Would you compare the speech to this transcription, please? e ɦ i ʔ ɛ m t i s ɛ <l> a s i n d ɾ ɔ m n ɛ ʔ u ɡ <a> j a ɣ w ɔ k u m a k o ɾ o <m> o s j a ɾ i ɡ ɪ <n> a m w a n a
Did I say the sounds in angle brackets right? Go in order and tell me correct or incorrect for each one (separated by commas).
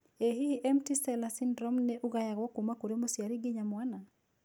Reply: correct, correct, correct, incorrect